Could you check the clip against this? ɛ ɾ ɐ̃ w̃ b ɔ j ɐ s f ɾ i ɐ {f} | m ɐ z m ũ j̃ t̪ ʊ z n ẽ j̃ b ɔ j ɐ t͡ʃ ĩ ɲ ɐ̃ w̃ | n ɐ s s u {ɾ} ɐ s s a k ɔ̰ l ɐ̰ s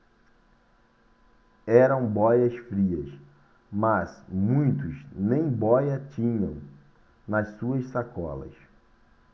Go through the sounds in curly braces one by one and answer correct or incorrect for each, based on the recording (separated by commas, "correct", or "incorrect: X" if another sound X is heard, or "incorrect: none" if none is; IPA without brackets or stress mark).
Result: incorrect: s, incorrect: none